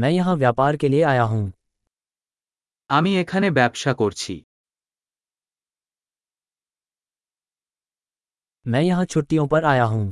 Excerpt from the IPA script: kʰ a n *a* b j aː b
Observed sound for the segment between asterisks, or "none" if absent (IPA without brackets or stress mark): e